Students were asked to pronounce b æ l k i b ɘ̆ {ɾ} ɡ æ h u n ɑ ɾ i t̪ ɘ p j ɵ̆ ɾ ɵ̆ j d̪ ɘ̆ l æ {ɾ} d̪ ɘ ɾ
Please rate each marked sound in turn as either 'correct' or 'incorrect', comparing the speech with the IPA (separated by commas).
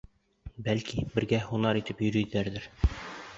correct, correct